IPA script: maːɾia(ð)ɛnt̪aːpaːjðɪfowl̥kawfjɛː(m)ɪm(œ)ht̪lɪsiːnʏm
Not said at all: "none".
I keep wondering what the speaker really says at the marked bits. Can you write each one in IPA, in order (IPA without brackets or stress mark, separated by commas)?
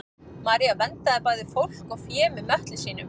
v, m, œ